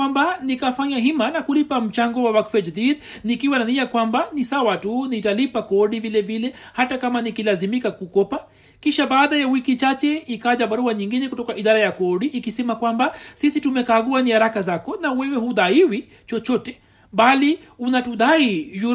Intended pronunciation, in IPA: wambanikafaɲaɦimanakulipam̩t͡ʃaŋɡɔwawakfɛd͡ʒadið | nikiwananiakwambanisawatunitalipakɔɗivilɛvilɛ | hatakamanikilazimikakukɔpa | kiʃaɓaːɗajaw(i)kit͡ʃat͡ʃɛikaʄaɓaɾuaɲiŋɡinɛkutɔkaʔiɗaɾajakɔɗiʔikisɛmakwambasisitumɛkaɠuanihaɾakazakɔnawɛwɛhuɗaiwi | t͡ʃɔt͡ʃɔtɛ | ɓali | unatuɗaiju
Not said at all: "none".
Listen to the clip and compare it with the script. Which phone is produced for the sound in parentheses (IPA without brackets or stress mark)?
i